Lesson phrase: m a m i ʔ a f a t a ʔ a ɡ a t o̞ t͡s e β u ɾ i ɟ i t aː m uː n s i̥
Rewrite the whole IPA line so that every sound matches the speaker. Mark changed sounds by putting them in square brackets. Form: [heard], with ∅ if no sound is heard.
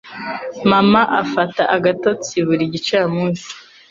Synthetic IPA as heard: m a m [a] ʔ a f a t a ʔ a ɡ a t o̞ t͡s [i] β u ɾ i ɟ i [t͡ʃ] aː m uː n s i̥